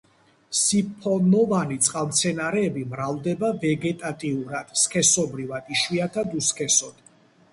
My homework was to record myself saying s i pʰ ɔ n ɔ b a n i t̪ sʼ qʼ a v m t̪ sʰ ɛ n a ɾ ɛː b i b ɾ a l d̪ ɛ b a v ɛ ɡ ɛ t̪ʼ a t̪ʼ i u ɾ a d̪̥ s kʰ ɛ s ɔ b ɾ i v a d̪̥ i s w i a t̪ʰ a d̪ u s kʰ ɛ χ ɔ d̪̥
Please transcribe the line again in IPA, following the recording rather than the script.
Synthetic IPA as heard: s i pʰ ɔ n ɔ v a n i t̪ sʼ qʼ a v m t̪ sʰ ɛ n a ɾ ɛː b i m ɾ a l d̪ ɛ b a v ɛ ɡ ɛ t̪ʼ a t̪ʼ i u ɾ a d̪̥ s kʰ ɛ s ɔ b ɾ i v a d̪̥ i ʃ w i a t̪ʰ a d̪ u s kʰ ɛ s ɔ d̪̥